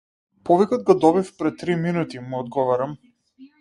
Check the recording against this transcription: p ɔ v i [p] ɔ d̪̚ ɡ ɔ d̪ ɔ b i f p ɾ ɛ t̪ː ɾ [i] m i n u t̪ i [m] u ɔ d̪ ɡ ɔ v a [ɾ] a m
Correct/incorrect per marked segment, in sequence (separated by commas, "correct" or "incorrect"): incorrect, correct, correct, correct